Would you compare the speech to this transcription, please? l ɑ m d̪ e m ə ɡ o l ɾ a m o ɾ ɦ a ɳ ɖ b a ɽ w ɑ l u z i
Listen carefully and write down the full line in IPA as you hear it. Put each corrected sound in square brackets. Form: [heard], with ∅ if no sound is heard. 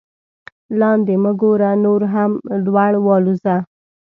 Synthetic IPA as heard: l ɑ [n] d̪ e m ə ɡ o [∅] ɾ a [n] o ɾ ɦ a [m] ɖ [w] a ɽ w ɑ l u z [a]